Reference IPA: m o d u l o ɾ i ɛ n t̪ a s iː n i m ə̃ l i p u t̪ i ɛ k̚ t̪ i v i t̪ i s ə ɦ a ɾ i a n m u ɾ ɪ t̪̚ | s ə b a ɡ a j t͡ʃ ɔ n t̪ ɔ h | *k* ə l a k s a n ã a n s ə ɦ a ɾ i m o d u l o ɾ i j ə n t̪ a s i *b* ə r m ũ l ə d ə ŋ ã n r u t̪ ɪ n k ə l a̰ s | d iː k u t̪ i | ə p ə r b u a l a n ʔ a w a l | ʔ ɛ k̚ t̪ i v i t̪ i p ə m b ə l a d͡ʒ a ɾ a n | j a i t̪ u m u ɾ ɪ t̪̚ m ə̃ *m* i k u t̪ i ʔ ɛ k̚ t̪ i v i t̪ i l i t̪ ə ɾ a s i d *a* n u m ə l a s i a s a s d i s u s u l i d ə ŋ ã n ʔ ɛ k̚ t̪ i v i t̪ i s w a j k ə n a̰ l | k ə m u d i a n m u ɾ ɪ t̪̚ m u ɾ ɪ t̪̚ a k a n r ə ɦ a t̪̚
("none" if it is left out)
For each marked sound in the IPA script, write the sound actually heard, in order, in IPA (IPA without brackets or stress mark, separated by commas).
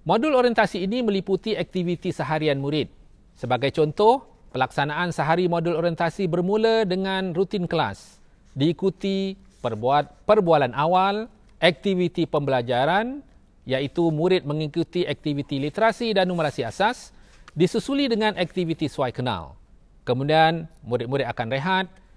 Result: p, b, ŋ, a